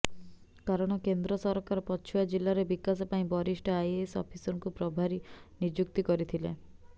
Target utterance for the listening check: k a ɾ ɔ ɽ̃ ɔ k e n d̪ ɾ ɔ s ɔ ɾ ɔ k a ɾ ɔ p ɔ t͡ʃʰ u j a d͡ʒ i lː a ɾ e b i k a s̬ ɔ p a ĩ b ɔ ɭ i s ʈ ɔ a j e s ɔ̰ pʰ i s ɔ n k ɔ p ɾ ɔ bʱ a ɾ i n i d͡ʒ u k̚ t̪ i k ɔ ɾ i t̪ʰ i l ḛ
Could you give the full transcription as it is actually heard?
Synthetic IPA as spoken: k a ɾ ɔ ɽ̃ ɔ k e n d̪ ɾ ɔ s ɔ ɾ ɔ k a ɾ ɔ p ɔ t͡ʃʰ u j a d͡ʒ i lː a ɾ e b i k a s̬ ɔ p a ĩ b ɔ ɾ i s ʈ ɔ a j e s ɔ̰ pʰ i s ɔ ŋ k u p ɾ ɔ bʱ a ɾ i n i d͡ʒ u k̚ t̪ i k ɔ ɾ i t̪ʰ i l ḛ

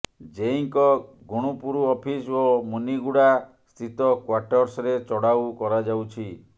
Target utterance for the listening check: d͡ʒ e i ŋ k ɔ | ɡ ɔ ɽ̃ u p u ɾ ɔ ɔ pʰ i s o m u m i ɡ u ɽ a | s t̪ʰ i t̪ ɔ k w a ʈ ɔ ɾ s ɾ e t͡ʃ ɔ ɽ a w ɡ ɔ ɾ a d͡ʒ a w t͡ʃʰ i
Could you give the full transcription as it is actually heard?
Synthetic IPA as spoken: d͡ʒ e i ŋ k ɔ | ɡ u ɽ̃ u p u ɾ u ɔ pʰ i s o m u n i ɡ u ɽ a | s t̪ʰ i t̪ ɔ k w a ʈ ɔ ɾ s ɾ e t͡ʃ ɔ ɽ a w k ɔ ɾ a d͡ʒ a w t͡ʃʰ i

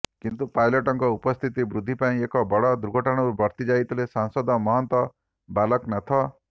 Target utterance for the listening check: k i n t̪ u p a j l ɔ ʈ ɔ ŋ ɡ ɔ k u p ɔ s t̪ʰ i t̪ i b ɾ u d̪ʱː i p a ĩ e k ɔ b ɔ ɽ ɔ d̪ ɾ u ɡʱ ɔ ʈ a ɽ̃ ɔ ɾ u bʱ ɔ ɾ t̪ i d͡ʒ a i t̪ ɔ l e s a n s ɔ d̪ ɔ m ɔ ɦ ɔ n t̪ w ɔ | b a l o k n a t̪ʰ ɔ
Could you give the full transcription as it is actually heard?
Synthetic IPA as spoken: k i n t̪ u p a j l ɔ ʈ ɔ ŋ k ɔ u p ɔ s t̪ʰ i t̪ i b ɾ u d̪ʱː i p a ĩ e k ɔ b ɔ ɽ ɔ d̪ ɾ u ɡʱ ɔ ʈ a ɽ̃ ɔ ɾ u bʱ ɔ ɾ t̪ i d͡ʒ a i t̪ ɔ l e s a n s ɔ d̪ ɔ m ɔ ɦ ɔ n t̪ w ɔ | b a l ɔ k n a t̪ʰ ɔ

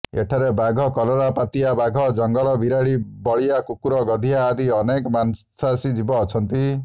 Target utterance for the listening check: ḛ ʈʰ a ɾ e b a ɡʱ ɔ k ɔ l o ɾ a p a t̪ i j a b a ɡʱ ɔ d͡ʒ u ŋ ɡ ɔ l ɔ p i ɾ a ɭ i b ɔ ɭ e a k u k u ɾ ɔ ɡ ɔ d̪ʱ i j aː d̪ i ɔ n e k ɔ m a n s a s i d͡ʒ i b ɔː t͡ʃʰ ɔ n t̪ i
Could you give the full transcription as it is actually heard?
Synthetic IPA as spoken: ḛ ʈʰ a ɾ e b a ɡʱ ɔ k ɔ l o ɾ a p a t̪ i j a b a ɡʱ ɔ d͡ʒ ɔ ŋ ɡ ɔ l ɔ b i ɾ a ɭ i b ɔ ɭ i a k u k u ɾ ɔ ɡ ɔ d̪ʱ i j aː d̪ i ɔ n e k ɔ m a n s a s i d͡ʒ i b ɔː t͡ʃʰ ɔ n t̪ i

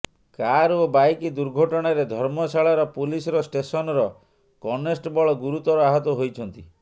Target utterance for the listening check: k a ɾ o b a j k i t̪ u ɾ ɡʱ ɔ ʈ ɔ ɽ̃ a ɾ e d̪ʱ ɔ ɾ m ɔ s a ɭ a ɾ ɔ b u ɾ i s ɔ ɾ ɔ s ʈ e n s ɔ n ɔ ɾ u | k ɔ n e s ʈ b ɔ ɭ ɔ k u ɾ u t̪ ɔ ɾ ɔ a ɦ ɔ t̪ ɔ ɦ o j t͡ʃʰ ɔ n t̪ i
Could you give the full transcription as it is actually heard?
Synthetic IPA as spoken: k a ɾ o b a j k i d̪ u ɾ ɡʱ ɔ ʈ ɔ ɽ̃ a ɾ e d̪ʱ ɔ ɾ m ɔ s a ɭ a ɾ ɔ p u l i s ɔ ɾ ɔ s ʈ e s ɔ n ɔ ɾ ɔ | k ɔ n e s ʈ b ɔ ɭ ɔ ɡ u ɾ u t̪ ɔ ɾ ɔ a ɦ ɔ t̪ ɔ ɦ o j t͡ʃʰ ɔ n t̪ i

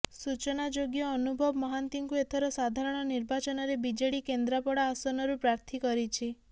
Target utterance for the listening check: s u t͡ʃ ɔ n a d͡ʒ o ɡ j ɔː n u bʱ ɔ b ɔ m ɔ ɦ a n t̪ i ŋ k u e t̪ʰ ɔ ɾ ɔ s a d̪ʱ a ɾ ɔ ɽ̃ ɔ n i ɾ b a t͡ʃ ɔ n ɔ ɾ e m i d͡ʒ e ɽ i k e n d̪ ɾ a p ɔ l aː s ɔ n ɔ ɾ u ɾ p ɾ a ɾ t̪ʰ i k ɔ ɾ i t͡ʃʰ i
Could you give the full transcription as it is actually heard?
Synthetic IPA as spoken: s u t͡ʃ ɔ n a d͡ʒ o ɡ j ɔː n u bʱ ɔ b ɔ m ɔ ɦ a n t̪ i ŋ k u e t̪ʰ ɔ ɾ ɔ s a d̪ʱ a ɾ ɔ ɽ̃ ɔ n i ɾ b a t͡ʃ ɔ n ɔ ɾ e b i d͡ʒ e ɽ i k e n d̪ ɾ a p ɔ ɽ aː s ɔ n ɔ ɾ u p ɾ a ɾ t̪ʰ i k ɔ ɾ i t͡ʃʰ i

